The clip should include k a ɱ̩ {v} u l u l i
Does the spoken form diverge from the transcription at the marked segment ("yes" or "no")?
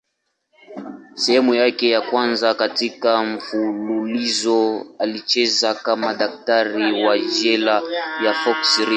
yes